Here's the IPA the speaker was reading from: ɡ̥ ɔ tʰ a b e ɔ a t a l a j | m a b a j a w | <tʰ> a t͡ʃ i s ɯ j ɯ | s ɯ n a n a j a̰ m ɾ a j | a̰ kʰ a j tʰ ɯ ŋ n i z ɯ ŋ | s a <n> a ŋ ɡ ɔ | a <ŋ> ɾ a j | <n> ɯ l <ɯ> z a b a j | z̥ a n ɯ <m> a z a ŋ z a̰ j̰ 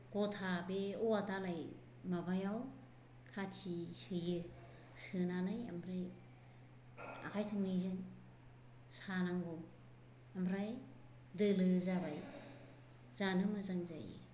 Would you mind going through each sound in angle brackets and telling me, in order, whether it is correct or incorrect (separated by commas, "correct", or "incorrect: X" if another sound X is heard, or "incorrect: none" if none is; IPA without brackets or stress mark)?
incorrect: kʰ, correct, incorrect: m, incorrect: d, correct, correct